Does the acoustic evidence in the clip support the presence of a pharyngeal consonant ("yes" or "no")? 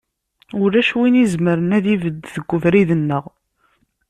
no